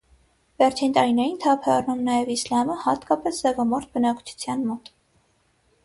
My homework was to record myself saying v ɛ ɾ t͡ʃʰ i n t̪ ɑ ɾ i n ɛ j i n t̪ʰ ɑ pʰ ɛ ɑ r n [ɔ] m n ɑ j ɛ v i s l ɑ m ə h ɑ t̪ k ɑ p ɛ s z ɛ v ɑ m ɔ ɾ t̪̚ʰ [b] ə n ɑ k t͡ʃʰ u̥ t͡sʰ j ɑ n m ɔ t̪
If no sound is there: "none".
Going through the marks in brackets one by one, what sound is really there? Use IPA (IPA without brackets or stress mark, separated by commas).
u, b